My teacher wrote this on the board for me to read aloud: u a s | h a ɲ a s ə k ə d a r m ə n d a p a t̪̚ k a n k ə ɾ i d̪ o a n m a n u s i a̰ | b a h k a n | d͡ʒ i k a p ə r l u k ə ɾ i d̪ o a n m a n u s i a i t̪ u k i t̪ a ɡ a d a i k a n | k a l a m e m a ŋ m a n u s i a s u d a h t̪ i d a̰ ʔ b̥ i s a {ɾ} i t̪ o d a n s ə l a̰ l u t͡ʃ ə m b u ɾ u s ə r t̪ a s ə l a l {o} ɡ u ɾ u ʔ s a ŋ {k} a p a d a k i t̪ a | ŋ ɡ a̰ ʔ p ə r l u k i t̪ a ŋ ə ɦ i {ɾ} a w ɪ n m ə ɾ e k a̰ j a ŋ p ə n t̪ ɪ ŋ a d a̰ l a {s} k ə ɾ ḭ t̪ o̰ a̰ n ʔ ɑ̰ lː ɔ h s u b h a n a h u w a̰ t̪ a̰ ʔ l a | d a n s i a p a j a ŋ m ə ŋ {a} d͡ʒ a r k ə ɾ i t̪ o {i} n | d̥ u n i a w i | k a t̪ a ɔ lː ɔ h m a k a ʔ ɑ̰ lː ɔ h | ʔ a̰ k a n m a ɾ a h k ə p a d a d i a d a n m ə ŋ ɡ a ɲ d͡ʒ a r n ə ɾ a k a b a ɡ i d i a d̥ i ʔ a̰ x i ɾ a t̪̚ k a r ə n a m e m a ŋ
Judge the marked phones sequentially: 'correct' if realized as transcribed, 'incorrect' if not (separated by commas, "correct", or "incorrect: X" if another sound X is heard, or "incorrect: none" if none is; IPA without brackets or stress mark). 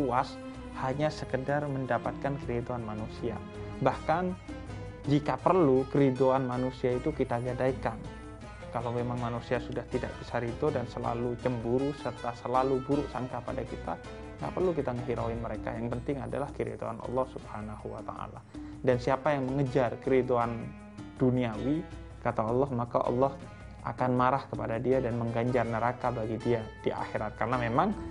correct, incorrect: u, correct, correct, incorrect: h, incorrect: ə, incorrect: a